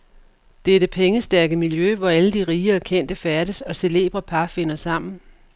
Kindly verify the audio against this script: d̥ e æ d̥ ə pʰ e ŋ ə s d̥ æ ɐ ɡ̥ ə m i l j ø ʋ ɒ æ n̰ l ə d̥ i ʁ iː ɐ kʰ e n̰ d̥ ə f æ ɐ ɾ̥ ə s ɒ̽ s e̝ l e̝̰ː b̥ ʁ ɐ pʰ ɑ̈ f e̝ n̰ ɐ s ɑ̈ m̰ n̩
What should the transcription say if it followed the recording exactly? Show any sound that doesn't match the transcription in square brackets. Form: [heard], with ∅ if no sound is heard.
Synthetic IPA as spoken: d̥ e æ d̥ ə pʰ e ŋ ə s d̥ æ ɐ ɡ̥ ə m i l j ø ʋ ɒ æ [∅] l ə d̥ i ʁ iː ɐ kʰ e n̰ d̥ ə f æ ɐ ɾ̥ ə s ɒ̽ s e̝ l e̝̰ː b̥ ʁ ɐ pʰ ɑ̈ f e̝ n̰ ɐ s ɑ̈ m̰ n̩